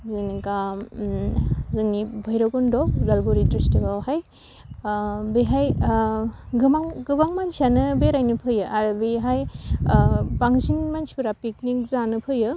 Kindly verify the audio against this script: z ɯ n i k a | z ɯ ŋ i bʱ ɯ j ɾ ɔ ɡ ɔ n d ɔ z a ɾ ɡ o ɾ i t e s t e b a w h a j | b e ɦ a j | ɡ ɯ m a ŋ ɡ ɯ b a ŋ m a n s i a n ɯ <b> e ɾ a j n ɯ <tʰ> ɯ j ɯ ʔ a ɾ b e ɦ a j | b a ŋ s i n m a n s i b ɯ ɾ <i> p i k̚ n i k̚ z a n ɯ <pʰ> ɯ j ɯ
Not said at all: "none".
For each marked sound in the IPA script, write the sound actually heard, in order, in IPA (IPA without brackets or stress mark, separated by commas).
b, pʰ, a, pʰ